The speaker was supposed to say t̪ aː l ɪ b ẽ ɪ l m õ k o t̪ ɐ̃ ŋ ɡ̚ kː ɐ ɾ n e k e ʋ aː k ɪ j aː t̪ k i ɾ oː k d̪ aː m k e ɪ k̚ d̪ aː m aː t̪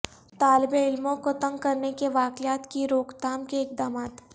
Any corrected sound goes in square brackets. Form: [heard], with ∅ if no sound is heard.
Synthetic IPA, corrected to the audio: t̪ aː l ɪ b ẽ ɪ l m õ k o t̪ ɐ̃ ŋ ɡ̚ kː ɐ ɾ n e k e ʋ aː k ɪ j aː t̪ k i ɾ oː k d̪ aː m k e ɪ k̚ d̪ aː m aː t̪